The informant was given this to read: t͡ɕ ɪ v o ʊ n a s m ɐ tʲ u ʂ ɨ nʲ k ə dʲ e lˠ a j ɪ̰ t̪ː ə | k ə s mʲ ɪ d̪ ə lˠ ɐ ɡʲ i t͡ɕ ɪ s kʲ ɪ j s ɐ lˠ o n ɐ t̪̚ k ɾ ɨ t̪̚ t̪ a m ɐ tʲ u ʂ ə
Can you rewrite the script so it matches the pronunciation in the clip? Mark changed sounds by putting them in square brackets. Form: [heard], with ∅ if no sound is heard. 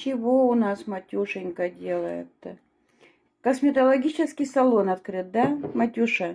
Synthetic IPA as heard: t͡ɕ ɪ v o ʊ n a s m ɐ tʲ u ʂ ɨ nʲ k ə dʲ e lˠ [ə] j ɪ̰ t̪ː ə | k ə s mʲ ɪ [t̪] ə lˠ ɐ ɡʲ i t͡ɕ ɪ s kʲ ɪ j s ɐ lˠ o n ɐ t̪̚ k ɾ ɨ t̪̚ [d̪] a m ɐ tʲ u ʂ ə

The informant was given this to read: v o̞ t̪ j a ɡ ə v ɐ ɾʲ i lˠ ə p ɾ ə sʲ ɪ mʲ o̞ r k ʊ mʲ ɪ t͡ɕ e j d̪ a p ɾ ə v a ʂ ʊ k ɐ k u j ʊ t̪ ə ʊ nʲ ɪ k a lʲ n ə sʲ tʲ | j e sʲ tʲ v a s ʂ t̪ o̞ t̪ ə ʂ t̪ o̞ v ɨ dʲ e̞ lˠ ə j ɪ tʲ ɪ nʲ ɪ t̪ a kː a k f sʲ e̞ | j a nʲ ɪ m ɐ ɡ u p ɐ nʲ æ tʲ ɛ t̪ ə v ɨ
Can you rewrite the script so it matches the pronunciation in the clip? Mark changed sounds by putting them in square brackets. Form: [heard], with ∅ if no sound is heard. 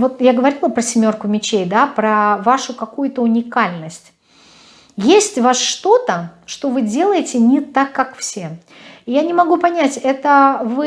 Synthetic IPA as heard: v o̞ t̪ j a ɡ ə v ɐ ɾʲ i lˠ ə p ɾ ə sʲ ɪ mʲ o̞ r k ʊ mʲ ɪ t͡ɕ e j d̪ a p ɾ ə v a ʂ ʊ k ɐ k u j ʊ t̪ ə ʊ nʲ ɪ k a lʲ n ə sʲ tʲ | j e sʲ tʲ v a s ʂ t̪ o̞ t̪ ə ʂ t̪ o̞ v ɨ dʲ e̞ lˠ ə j ɪ tʲ ɪ nʲ ɪ t̪ a kː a k f sʲ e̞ | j a nʲ ɪ m ɐ ɡ u p ɐ nʲ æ tʲ ɛ t̪ ə v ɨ

